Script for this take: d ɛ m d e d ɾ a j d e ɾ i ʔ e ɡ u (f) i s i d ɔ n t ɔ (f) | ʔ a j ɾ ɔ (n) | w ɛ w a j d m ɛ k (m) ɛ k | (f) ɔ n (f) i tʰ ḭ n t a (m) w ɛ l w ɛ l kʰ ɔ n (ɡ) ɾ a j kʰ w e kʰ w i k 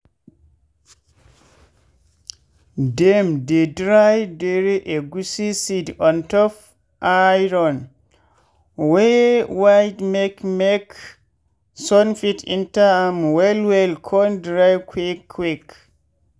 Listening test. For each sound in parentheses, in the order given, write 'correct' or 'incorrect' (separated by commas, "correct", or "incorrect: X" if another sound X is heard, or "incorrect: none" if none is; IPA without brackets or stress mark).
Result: incorrect: s, correct, correct, correct, incorrect: s, correct, correct, incorrect: d